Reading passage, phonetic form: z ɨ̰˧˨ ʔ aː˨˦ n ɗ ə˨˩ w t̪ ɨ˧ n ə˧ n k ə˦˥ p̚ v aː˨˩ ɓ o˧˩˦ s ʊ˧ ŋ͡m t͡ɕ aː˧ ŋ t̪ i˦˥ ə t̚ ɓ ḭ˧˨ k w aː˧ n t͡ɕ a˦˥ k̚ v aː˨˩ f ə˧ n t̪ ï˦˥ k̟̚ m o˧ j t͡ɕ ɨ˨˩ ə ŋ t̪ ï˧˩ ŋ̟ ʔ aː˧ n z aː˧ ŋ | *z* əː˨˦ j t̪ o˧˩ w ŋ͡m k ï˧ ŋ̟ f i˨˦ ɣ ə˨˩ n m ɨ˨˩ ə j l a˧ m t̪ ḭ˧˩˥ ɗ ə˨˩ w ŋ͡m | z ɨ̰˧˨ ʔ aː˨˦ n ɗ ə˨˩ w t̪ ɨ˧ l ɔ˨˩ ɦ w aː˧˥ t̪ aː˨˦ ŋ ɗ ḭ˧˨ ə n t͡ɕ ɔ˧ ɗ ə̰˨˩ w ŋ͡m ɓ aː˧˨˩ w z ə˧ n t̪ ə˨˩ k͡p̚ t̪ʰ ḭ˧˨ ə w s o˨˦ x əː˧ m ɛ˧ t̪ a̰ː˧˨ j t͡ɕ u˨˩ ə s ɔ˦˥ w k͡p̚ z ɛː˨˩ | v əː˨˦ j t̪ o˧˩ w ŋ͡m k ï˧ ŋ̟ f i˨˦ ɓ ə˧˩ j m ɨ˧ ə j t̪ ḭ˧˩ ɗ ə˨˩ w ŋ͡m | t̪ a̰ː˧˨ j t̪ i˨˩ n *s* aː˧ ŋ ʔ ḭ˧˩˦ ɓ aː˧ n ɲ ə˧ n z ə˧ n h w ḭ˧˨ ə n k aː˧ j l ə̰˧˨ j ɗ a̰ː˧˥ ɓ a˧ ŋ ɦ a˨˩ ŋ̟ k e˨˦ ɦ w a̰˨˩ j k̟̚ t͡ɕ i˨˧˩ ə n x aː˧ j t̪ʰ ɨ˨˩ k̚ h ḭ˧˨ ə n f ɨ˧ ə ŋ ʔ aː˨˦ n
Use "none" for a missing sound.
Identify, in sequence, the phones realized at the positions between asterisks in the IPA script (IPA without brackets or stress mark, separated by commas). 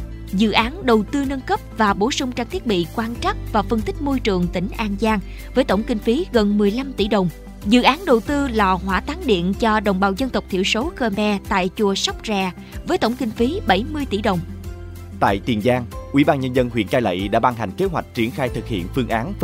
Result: v, z